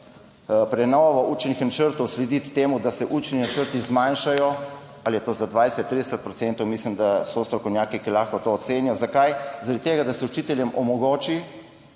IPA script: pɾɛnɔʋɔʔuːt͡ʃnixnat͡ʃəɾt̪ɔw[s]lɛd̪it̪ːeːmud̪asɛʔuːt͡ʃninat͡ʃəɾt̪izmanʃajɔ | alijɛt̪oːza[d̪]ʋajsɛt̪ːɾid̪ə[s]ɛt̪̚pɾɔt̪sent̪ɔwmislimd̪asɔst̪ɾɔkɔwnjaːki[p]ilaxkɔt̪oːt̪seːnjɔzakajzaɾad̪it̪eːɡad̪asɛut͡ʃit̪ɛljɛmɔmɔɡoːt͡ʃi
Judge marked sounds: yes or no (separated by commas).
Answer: yes, yes, yes, no